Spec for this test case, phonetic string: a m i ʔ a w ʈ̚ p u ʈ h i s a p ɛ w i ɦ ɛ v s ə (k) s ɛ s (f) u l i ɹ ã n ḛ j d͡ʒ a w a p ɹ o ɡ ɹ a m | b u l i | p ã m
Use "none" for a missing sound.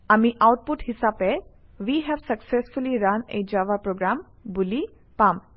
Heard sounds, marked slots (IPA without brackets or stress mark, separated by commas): k, f